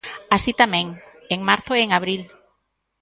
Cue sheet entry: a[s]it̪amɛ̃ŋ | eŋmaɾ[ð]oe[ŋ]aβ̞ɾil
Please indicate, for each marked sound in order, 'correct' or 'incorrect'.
correct, incorrect: θ, correct

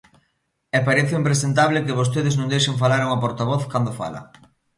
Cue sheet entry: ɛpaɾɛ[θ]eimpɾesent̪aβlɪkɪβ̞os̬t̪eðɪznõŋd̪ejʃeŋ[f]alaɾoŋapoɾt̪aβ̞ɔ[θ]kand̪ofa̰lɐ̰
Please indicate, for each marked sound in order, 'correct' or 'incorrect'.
correct, correct, correct

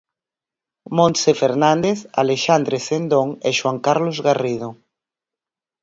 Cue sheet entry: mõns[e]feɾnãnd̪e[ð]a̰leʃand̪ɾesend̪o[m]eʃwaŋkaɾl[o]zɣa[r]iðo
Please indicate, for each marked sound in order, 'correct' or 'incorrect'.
correct, incorrect: θ, incorrect: ŋ, correct, correct

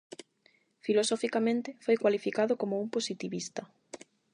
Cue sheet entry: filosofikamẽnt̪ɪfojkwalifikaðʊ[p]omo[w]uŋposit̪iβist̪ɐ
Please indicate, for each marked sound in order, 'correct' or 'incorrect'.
incorrect: k, incorrect: none

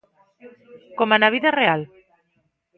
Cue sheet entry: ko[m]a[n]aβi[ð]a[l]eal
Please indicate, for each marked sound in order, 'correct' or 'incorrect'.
correct, correct, correct, incorrect: r

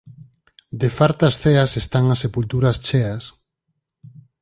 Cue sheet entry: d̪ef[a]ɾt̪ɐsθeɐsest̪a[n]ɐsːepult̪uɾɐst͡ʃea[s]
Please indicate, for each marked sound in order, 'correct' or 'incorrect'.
correct, incorrect: ŋ, correct

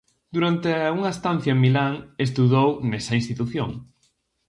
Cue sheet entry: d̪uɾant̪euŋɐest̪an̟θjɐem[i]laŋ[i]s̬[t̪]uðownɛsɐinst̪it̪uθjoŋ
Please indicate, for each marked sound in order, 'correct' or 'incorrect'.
correct, incorrect: e, correct

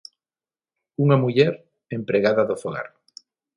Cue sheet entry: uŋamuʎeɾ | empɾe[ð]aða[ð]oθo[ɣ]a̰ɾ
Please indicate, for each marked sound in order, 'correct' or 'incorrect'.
incorrect: ɣ, correct, correct

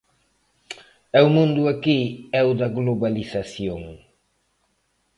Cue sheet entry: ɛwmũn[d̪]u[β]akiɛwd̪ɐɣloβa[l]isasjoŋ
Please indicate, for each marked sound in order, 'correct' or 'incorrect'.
correct, incorrect: none, correct

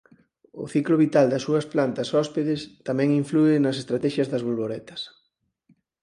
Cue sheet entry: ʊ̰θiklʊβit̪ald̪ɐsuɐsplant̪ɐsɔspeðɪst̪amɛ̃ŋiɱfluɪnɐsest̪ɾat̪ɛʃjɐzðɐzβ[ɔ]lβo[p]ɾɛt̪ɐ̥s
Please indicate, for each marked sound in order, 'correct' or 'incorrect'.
incorrect: o, incorrect: none

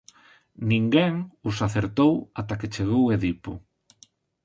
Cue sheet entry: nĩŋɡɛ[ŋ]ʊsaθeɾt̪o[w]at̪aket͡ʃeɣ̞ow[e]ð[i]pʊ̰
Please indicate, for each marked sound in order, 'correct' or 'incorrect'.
correct, correct, correct, correct

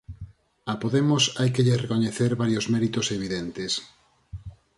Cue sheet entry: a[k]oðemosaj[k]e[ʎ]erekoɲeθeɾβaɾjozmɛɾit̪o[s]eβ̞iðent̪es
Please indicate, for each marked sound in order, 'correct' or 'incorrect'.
incorrect: p, correct, correct, correct

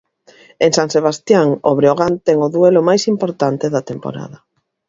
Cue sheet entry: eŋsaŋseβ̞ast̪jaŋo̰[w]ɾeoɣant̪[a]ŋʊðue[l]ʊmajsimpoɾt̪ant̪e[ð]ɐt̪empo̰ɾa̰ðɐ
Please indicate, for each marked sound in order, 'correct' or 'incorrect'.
incorrect: β, incorrect: ɛ, correct, correct

